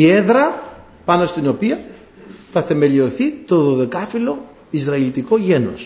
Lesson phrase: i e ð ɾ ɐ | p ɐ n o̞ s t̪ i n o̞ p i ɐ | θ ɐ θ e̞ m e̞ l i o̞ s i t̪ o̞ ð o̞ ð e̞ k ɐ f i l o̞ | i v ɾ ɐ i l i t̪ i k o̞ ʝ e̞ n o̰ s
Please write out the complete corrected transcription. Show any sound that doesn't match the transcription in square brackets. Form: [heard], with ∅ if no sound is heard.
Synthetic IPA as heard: i e ð ɾ ɐ | p ɐ n o̞ s t̪ i n o̞ p i ɐ | θ ɐ θ e̞ m e̞ l i o̞ [θ] i t̪ o̞ ð o̞ ð e̞ k ɐ f i l o̞ | i [z] ɾ ɐ i l i t̪ i k o̞ ʝ e̞ n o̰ s